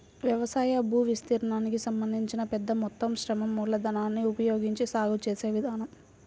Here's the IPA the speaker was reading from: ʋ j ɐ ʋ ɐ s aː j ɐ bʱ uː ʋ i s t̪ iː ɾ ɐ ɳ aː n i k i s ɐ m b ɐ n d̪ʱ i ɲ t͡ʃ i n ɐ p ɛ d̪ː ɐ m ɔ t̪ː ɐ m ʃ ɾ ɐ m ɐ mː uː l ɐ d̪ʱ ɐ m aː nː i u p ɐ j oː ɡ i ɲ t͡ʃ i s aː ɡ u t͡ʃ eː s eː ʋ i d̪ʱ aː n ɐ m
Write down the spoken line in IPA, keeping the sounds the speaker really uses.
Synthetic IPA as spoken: ʋ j ɐ ʋ ɐ s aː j ɐ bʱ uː ʋ i s t̪ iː ɾ ɐ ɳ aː n i k i s ɐ m b ɐ n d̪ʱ i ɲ t͡ʃ i n ɐ p ɛ d̪ː ɐ m ɔ t̪ː ɐ m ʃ ɾ ɐ m ɐ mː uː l ɐ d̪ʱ ɐ n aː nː i u p ɐ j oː ɡ i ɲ t͡ʃ i s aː ɡ u t͡ʃ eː s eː ʋ i d̪ʱ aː n ɐ m